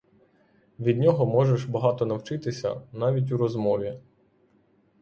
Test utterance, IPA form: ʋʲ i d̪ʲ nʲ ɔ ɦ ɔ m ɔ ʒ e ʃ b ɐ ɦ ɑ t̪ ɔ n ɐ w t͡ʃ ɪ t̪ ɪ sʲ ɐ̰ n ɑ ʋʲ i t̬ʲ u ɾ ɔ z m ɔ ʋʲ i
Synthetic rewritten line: ʋʲ i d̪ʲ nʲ ɔ ɦ ɔ m ɔ ʒ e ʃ b ɐ ɦ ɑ t̪ ɔ n ɐ w t͡ʃ ɪ t̪ ɪ sʲ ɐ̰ n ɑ ʋʲ i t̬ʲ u ɾ ɔ z m ɔ ʋʲ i